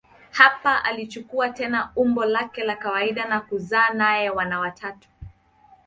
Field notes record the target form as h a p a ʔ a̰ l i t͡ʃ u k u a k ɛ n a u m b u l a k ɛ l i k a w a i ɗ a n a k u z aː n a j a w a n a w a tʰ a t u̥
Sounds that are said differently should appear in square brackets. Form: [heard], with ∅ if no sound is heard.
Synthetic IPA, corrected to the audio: h a p a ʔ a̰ l i t͡ʃ u k u a [t] ɛ n a u m b [ɔ] l a k ɛ l [a] k a w a i ɗ a n a k u z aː n a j [ɛ] w a n a w a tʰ a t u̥